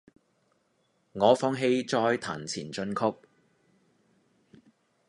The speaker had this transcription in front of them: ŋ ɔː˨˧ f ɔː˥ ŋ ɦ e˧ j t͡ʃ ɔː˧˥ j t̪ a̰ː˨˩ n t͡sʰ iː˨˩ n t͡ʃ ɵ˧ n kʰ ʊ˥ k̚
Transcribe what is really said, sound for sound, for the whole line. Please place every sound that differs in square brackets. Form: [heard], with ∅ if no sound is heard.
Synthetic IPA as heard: ŋ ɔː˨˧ f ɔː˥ ŋ ɦ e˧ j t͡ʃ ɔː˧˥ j [t̪ʰ] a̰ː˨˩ n t͡sʰ iː˨˩ n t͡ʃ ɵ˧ n kʰ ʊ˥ k̚